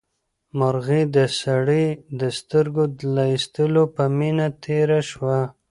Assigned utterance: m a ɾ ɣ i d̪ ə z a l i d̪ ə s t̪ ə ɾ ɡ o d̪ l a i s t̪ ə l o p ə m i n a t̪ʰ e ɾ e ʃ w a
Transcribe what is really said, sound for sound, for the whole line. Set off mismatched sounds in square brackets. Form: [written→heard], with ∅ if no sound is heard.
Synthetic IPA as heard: m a ɾ ɣ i d̪ ə [z→s] a [l→ɽ] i d̪ ə s t̪ ə ɾ ɡ o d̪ l a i s t̪ ə l o p ə m i n a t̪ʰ e ɾ [e→a] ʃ w a